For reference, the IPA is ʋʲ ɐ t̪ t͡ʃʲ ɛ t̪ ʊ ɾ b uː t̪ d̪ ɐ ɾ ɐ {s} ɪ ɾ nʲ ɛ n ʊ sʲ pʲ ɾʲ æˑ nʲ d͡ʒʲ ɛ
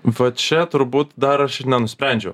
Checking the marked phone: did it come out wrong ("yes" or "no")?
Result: yes